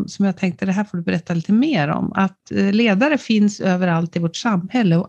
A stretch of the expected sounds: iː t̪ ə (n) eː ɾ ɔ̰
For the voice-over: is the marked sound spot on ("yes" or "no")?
no